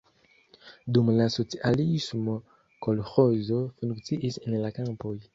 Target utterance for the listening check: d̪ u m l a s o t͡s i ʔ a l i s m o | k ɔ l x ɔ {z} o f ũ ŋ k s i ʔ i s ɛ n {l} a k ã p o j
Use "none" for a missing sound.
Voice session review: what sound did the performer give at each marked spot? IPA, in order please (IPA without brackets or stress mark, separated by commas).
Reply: z, l